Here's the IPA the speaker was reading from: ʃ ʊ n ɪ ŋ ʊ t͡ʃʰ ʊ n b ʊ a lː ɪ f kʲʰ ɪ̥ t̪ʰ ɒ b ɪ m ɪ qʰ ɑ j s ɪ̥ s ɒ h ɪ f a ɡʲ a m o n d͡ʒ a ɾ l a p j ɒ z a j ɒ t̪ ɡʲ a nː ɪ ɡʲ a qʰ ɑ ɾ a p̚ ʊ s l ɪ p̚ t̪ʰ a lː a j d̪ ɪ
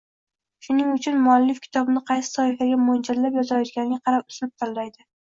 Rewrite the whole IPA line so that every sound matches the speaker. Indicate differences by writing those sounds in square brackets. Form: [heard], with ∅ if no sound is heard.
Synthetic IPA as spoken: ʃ ʊ n ɪ ŋ ʊ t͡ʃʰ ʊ n [m] ʊ a lː ɪ f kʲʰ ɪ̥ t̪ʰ ɒ b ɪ [n] ɪ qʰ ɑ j s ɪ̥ s ɒ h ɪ f a ɡʲ a m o n d͡ʒ a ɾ l a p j ɒ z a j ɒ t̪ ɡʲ a [n] ɪ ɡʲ a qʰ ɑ ɾ a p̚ ʊ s l ɪ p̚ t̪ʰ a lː a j d̪ ɪ